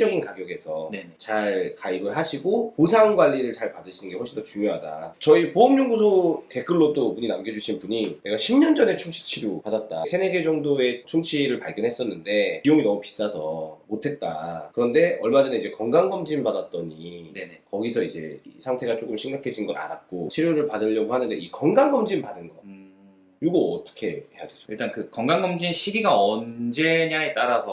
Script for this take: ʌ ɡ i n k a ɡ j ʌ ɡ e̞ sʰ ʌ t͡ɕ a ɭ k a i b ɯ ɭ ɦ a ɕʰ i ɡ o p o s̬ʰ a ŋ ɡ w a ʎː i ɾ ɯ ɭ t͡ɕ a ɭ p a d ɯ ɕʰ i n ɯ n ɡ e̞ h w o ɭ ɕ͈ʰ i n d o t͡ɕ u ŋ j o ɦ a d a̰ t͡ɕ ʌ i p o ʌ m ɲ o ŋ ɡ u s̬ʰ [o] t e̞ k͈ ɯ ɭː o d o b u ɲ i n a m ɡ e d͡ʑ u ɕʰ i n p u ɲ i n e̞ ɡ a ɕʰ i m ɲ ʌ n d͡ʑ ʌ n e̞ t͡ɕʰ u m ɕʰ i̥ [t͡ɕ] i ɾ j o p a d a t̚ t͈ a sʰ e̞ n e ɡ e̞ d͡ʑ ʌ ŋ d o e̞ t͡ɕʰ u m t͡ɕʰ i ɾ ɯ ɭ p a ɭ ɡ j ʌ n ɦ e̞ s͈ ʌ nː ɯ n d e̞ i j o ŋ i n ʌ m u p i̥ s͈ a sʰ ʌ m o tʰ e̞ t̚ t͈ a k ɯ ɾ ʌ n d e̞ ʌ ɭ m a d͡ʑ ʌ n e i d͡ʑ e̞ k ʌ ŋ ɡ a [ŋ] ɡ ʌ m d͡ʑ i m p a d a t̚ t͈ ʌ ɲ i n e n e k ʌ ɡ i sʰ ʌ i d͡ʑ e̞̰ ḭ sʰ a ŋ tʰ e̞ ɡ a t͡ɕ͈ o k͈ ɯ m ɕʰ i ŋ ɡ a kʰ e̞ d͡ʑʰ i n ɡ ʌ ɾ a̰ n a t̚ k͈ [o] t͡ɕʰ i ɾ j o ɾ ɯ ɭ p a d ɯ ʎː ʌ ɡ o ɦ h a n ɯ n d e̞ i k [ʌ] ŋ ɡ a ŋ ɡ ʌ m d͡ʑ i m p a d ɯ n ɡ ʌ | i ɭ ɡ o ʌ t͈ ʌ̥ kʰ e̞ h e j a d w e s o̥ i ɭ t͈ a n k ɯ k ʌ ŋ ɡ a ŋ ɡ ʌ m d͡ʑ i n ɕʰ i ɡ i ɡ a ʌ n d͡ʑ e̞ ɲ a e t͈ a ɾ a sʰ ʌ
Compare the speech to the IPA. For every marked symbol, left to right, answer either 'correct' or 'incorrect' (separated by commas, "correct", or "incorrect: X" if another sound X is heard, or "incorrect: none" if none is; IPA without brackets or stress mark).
correct, incorrect: t͡ɕʰ, correct, correct, correct